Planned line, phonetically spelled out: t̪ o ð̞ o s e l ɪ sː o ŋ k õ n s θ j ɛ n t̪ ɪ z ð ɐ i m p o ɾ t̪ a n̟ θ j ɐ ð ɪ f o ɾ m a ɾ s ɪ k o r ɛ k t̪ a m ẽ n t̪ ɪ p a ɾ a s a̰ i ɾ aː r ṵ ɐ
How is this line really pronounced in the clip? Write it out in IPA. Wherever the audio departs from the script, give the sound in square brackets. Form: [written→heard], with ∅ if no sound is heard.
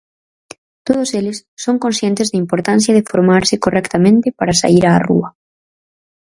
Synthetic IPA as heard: t̪ o ð̞ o s e l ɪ sː o ŋ k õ n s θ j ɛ n t̪ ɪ z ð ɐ i m p o ɾ t̪ a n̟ θ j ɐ ð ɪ f o ɾ m a ɾ s ɪ k o r ɛ k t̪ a m ẽ n t̪ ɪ p a ɾ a s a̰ i ɾ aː r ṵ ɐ